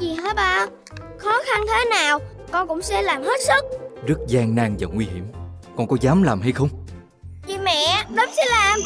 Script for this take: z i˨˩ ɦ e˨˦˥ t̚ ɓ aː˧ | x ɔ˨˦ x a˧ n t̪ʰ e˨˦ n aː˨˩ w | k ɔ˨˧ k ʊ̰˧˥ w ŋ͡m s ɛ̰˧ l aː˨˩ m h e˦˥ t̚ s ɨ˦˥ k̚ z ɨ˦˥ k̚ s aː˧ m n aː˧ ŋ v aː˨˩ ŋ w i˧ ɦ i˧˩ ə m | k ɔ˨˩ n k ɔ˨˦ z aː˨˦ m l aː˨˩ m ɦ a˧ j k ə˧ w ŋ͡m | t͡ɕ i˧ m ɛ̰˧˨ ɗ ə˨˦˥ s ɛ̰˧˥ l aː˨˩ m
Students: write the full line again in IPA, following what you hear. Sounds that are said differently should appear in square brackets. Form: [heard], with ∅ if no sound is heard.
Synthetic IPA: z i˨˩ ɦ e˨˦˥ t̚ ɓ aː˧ | x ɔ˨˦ x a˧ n t̪ʰ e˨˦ n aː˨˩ w | k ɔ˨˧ k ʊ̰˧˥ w ŋ͡m s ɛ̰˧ l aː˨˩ m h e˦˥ t̚ s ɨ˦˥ k̚ z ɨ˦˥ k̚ [z] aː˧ [ŋ] n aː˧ ŋ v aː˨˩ ŋ w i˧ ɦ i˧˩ ə m | k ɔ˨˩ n k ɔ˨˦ z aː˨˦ m l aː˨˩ m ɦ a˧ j [x] ə˧ w ŋ͡m | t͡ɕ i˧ m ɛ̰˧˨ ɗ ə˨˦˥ s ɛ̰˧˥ l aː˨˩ m